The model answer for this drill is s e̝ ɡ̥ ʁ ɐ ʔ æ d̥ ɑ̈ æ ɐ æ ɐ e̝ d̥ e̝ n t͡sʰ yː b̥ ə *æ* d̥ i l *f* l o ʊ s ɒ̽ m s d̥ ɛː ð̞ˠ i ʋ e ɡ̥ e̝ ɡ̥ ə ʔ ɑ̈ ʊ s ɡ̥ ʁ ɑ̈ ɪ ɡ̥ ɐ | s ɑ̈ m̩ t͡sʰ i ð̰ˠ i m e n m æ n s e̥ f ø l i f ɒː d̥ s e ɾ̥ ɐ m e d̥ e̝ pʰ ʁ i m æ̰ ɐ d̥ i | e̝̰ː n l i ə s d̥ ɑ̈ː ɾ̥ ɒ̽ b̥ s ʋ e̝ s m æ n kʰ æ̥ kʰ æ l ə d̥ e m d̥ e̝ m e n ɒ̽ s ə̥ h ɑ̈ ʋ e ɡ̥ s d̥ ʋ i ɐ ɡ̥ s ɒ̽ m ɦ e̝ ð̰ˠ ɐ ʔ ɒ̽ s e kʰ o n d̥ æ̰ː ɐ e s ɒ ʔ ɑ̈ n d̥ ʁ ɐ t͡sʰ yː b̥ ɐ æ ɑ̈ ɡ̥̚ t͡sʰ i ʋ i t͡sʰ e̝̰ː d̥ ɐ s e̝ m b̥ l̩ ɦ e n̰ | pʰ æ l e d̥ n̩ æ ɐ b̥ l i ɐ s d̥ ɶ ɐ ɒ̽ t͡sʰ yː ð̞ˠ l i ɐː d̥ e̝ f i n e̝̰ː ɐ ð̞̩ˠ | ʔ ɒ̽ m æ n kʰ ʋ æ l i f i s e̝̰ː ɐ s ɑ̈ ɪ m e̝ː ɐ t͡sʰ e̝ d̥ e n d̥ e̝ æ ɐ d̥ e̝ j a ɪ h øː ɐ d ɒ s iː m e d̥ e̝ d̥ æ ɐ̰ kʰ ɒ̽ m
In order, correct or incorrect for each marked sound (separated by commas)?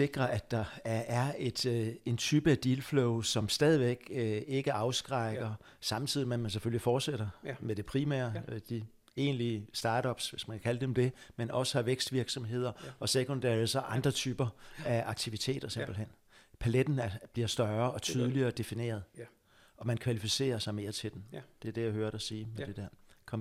correct, correct